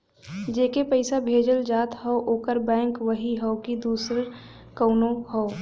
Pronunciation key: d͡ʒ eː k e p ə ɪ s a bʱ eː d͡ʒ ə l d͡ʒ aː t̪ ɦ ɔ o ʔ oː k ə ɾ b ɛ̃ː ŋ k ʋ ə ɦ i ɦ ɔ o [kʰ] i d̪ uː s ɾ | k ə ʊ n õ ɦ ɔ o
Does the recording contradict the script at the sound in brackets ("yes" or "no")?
yes